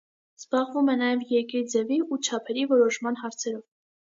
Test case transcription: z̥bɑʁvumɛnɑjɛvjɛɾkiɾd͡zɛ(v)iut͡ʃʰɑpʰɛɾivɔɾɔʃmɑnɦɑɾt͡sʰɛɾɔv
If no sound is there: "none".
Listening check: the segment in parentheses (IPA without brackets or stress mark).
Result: v